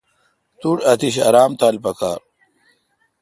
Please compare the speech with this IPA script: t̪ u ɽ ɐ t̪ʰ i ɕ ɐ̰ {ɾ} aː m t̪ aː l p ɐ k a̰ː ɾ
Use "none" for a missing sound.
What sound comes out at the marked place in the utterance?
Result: ɾ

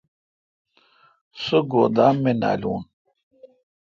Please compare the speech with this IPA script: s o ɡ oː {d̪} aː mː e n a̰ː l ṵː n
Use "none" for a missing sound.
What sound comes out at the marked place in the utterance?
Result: d̪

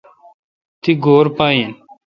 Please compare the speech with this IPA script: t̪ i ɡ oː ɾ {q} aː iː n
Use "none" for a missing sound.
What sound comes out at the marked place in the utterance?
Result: p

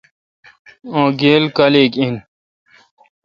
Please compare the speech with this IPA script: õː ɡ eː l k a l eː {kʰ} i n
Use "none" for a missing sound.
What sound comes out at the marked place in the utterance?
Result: k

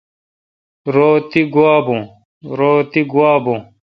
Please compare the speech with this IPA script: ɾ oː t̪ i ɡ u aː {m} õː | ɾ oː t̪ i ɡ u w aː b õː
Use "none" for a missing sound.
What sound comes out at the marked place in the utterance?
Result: b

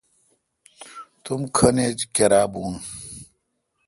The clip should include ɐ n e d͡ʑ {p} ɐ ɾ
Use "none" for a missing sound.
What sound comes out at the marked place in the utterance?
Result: k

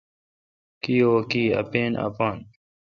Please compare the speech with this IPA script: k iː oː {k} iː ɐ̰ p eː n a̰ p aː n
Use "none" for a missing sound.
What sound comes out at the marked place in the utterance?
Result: k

